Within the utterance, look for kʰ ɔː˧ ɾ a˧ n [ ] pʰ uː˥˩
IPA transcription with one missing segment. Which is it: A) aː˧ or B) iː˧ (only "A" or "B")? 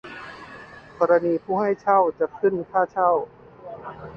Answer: B